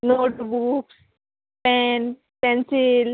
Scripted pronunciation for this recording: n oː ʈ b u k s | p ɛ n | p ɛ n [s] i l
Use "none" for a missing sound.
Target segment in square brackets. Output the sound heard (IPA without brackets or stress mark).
s